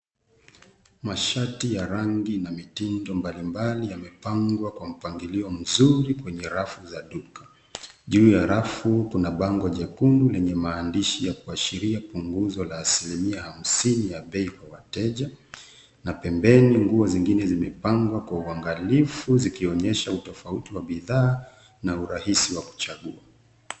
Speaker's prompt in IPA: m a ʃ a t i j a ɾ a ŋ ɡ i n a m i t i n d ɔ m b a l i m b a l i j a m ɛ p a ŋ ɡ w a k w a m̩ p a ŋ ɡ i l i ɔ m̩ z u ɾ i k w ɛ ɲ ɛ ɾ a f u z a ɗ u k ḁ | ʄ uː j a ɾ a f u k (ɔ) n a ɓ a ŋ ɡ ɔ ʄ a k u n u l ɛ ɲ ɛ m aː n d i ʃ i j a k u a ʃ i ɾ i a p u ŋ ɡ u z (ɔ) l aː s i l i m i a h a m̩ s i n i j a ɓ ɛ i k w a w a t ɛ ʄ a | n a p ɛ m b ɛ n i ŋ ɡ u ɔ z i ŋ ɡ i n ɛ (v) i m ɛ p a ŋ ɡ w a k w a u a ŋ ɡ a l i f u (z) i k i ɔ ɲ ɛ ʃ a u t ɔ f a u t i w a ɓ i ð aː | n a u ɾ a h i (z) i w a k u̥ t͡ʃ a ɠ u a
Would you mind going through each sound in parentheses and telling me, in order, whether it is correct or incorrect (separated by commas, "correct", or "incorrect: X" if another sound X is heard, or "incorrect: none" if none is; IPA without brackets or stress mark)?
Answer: incorrect: u, correct, incorrect: z, correct, incorrect: s